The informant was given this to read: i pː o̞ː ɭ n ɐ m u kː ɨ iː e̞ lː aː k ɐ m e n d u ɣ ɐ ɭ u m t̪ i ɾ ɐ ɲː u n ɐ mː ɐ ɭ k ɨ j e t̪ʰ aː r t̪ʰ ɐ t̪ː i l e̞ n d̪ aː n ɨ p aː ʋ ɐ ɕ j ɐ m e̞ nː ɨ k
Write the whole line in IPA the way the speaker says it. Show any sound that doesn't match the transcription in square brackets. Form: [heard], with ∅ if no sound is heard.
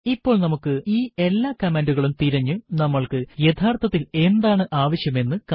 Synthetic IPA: i pː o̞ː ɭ n ɐ m u kː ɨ iː e̞ lː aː k ɐ m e n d u ɣ ɐ ɭ u m t̪ i ɾ ɐ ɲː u n ɐ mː ɐ ɭ k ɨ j e t̪ʰ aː r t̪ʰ ɐ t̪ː i l e̞ n d̪ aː [ɳ] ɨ [ʔ] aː ʋ ɐ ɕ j ɐ m e̞ nː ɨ k